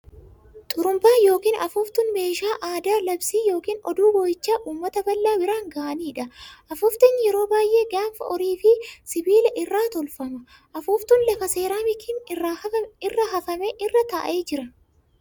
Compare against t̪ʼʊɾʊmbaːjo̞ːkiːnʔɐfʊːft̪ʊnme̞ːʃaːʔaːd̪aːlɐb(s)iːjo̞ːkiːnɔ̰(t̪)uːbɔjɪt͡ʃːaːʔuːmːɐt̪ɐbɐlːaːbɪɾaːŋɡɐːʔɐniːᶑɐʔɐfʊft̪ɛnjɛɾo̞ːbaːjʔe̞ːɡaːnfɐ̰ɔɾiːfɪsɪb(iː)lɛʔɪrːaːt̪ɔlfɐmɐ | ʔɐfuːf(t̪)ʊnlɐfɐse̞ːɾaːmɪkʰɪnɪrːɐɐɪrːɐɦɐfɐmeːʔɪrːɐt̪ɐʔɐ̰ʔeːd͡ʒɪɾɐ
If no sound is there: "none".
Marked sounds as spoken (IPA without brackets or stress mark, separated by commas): s, d̪, iː, t̪